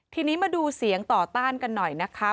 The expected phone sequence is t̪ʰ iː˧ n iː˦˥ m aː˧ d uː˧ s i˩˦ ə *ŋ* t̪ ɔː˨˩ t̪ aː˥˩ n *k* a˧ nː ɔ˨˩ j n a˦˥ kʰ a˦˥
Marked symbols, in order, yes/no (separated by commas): yes, yes